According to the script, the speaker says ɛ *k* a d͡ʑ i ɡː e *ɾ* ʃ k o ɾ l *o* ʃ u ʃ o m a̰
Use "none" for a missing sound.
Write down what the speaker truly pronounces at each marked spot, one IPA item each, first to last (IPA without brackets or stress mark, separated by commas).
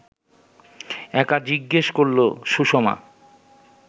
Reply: k, none, o